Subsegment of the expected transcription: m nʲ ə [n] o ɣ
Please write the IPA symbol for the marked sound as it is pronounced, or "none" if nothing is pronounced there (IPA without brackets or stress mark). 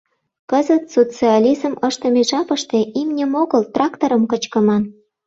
m